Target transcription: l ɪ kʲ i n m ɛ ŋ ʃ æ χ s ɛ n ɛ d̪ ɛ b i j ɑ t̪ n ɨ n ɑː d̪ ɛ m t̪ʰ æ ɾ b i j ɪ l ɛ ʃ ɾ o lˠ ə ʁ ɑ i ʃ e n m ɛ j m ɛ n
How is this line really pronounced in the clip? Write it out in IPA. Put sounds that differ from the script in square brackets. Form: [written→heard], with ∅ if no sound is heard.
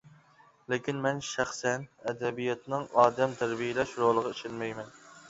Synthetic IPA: l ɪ kʲ i n m ɛ [ŋ→n] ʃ æ χ s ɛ n ɛ d̪ ɛ b i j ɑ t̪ n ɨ [n→ŋ] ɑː d̪ ɛ m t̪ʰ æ ɾ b i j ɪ l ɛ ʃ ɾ o lˠ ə ʁ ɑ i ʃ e n m ɛ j m ɛ n